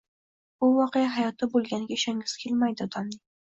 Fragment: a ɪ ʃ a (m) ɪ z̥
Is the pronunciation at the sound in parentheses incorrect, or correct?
incorrect